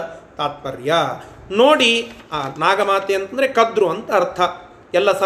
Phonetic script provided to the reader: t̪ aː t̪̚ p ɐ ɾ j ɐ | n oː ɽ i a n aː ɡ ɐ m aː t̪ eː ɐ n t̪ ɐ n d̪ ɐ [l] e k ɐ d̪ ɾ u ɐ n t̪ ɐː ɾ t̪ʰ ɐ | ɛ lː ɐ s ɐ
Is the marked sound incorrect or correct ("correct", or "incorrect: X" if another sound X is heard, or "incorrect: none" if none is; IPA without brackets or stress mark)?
incorrect: ɾ